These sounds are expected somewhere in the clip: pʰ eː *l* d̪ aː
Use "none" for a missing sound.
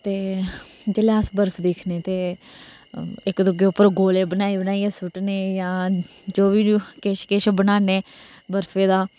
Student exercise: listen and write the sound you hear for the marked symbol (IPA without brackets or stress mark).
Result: none